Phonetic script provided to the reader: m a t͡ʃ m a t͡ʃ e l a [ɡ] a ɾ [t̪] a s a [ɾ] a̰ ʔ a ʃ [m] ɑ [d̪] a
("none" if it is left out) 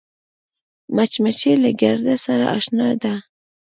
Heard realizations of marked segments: ɡ, d̪, ɾ, n, d̪

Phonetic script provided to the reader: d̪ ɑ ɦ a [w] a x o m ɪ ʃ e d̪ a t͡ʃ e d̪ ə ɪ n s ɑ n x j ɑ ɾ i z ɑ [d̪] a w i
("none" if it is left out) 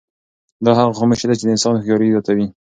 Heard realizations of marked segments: ɣ, t̪

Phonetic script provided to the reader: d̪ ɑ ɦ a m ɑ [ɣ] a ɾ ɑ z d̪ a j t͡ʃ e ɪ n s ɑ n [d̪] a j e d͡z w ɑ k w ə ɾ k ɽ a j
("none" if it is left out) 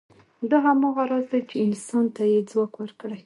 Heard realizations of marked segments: ɣ, t̪

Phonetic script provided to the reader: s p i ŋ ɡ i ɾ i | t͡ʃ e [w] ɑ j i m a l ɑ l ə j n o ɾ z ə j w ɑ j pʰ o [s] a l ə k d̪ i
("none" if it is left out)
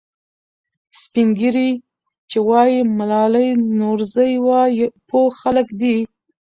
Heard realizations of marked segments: w, x

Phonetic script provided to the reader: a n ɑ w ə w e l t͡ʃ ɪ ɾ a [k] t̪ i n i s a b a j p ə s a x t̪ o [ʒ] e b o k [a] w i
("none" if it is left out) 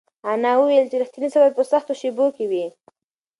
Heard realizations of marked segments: x, ʃ, e

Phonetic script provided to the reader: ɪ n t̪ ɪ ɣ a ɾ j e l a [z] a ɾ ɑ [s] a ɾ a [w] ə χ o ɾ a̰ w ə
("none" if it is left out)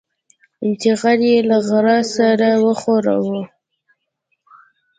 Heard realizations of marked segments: ɣ, s, w

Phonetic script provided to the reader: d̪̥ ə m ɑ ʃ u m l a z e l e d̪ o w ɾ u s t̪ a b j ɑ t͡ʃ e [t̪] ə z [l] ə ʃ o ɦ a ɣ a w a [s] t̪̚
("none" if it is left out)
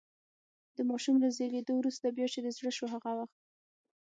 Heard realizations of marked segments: d̪, ɽ, x

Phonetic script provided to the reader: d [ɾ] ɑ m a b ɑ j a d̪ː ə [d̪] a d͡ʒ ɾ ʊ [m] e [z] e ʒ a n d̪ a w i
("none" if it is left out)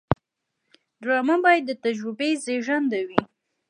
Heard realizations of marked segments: ɾ, t̪, b, z

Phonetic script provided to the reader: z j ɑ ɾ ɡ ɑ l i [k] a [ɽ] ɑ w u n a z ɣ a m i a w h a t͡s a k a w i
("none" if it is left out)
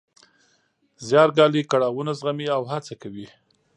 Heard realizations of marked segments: k, ɽ

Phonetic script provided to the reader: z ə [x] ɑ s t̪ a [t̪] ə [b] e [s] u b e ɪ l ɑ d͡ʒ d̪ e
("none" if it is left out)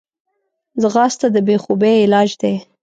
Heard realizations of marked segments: ɣ, d̪, b, x

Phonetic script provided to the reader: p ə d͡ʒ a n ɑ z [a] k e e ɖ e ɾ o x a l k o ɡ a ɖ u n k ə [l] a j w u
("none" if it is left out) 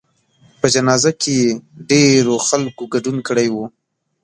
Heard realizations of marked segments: a, ɽ

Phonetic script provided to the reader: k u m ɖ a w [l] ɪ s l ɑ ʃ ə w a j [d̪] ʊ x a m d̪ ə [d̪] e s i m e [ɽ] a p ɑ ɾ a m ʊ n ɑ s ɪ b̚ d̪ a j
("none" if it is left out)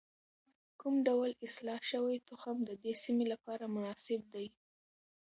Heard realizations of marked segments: l, t̪, d̪, l

